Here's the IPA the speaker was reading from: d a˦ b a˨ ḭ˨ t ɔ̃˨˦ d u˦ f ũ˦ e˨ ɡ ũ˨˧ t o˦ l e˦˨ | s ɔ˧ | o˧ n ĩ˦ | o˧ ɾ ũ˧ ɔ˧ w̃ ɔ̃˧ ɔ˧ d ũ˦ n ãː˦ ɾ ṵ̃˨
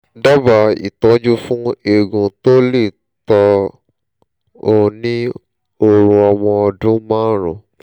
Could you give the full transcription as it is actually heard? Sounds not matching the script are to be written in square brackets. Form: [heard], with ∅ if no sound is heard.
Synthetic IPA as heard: d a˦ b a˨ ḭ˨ t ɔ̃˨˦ [d͡ʒ] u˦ f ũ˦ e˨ ɡ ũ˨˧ t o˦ l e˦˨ | [t] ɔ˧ | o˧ n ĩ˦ | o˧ ɾ ũ˧ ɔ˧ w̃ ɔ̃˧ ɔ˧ d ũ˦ [m] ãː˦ ɾ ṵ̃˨